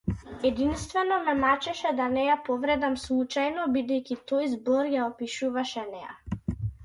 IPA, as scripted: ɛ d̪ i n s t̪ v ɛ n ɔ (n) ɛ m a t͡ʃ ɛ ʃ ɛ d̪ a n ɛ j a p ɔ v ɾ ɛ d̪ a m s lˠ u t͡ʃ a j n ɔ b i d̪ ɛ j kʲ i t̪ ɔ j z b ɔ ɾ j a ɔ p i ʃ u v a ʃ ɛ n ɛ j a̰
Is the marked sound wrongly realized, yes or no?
yes